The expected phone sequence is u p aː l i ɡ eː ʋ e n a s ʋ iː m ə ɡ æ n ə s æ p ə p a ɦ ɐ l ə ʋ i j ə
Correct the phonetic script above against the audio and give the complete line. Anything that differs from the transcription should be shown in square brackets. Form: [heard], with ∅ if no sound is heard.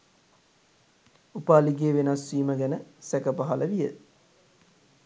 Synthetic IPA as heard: u p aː l i ɡ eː ʋ e n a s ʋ iː m ə ɡ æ n ə s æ [k] ə p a ɦ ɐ l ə ʋ i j ə